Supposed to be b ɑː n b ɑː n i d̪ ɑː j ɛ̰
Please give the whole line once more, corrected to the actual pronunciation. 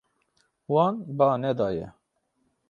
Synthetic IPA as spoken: w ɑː n b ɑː n ɛ d̪ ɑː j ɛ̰